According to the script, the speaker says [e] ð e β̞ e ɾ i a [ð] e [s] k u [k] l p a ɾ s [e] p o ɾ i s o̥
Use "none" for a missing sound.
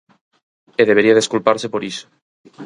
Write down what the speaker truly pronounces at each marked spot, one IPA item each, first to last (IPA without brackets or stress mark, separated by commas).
e, ð, s, none, e